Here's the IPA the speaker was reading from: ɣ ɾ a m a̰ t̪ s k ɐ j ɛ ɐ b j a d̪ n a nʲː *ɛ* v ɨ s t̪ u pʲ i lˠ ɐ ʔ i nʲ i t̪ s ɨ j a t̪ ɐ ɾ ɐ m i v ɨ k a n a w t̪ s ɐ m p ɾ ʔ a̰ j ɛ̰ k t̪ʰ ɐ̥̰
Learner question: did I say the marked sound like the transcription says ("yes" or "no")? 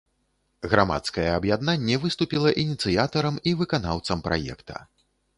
yes